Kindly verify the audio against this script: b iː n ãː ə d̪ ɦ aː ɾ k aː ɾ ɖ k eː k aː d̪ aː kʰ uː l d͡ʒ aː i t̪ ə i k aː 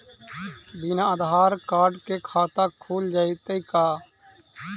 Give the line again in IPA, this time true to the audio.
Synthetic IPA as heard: b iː n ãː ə d̪ ɦ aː ɾ k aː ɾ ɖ k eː kʰ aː t̪ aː kʰ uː l d͡ʒ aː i t̪ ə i k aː